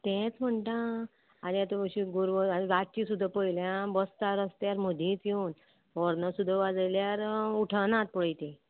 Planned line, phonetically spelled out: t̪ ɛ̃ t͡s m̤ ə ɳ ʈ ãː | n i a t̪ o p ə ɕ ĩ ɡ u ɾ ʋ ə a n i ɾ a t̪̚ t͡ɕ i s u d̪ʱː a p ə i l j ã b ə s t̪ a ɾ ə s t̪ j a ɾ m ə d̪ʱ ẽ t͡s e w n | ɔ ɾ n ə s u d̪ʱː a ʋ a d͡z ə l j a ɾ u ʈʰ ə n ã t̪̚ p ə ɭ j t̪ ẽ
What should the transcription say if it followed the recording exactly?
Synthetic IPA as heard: t̪ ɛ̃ t͡s m̤ ə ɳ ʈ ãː | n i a t̪ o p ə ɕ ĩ ɡ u ɾ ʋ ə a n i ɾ a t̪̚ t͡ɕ i s u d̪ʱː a p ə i l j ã b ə s t̪ a ɾ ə s t̪ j a ɾ m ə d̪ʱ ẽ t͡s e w n | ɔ ɾ n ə s u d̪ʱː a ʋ a d͡z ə l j a ɾ u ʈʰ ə n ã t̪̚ p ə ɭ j t̪ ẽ